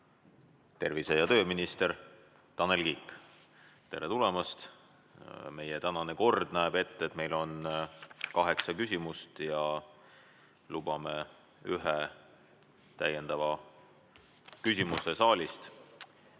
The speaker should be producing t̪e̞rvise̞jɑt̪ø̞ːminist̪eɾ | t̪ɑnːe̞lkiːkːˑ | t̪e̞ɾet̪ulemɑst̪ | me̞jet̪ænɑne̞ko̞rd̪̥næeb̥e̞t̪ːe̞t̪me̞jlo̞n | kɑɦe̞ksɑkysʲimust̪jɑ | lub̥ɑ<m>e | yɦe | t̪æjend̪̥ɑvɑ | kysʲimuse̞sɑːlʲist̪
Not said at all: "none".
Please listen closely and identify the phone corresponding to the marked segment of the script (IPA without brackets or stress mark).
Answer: m